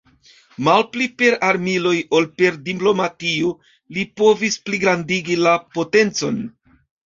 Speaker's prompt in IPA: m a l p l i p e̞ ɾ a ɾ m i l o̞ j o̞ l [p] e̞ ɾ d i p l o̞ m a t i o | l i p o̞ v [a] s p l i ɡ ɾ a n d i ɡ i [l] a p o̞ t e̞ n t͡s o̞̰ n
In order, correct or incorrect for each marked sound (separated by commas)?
correct, incorrect, correct